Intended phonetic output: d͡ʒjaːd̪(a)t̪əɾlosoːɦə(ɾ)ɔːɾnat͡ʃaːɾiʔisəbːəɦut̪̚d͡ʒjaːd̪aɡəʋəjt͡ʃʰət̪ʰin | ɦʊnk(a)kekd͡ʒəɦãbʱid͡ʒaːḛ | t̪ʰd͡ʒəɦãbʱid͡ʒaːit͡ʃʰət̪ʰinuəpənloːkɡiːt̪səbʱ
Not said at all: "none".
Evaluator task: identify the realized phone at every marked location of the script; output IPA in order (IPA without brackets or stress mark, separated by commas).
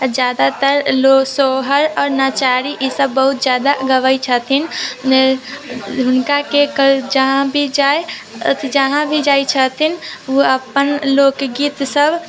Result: a, ɾ, a